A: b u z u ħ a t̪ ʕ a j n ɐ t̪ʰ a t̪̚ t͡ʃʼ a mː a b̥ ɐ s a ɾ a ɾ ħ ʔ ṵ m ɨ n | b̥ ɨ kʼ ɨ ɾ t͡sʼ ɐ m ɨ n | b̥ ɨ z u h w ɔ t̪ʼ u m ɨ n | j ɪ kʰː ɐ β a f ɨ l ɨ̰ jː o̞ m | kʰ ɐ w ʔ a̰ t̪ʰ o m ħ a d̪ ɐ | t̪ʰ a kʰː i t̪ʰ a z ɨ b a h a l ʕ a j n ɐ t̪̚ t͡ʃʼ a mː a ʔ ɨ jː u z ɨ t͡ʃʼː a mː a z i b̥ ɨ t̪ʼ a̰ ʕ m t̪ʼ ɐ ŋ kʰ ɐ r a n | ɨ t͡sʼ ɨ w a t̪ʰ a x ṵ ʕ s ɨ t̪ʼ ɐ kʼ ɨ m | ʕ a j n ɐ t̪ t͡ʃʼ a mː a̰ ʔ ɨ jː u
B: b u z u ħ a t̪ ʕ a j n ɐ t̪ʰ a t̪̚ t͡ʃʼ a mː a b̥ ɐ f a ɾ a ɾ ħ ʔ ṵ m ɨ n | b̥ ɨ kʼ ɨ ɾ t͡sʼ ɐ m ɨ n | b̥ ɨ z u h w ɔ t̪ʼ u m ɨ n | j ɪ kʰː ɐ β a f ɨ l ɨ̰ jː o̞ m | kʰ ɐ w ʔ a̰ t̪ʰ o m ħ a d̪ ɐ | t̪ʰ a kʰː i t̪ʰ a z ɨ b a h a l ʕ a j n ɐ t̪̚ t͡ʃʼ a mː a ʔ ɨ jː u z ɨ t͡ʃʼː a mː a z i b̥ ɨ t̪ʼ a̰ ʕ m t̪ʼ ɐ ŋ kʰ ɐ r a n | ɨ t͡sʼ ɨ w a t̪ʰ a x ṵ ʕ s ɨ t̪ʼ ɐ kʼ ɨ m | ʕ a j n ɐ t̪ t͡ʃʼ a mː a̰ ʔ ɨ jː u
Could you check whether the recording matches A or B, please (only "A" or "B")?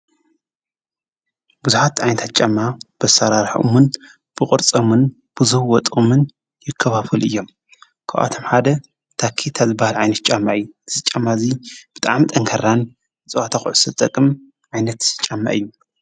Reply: A